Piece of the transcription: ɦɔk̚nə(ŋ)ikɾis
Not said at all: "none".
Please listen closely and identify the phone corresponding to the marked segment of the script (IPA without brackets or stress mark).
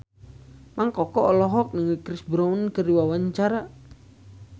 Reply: ŋ